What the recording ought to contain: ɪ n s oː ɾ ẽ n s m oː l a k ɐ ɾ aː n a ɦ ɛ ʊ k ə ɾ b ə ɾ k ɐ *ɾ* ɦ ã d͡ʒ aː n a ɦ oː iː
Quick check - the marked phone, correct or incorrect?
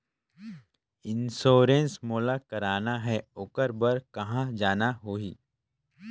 incorrect